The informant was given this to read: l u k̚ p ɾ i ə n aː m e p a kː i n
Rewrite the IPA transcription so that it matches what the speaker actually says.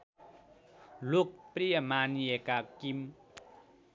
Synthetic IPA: l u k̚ p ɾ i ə m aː n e k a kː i m